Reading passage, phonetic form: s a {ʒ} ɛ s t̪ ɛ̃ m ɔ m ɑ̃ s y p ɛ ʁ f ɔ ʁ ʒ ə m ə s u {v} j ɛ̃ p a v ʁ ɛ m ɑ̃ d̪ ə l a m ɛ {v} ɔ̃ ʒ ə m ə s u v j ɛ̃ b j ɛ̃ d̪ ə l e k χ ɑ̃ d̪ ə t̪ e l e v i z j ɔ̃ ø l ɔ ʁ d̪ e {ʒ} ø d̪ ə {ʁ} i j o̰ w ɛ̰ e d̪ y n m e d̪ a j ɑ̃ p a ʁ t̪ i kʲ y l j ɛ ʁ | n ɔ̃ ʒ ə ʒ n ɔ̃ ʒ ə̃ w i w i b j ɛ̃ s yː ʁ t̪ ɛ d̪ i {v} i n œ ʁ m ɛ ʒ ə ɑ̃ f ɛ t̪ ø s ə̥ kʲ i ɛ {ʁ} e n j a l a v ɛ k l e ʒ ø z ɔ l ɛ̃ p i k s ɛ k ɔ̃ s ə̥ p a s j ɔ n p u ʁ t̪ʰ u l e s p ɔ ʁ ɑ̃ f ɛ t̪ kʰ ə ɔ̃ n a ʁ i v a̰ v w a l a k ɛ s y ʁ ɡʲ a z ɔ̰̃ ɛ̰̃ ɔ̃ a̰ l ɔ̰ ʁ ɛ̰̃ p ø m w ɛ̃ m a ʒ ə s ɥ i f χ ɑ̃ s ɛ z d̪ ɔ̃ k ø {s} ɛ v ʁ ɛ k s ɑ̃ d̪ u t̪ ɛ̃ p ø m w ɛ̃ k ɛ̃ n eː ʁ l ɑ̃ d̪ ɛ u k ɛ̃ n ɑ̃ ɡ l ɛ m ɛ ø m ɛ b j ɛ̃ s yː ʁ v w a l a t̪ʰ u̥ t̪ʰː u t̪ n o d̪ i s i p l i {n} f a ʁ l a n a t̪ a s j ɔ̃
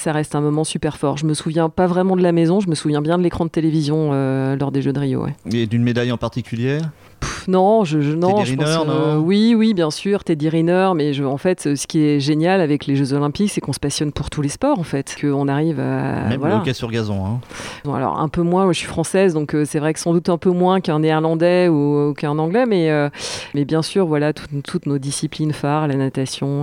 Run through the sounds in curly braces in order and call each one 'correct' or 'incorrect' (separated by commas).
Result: incorrect, correct, incorrect, correct, correct, incorrect, incorrect, correct, correct